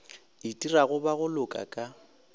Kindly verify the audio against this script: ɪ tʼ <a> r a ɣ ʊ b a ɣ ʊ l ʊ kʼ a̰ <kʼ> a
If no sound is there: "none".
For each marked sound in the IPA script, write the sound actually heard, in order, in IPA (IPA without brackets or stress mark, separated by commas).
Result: i, kʼ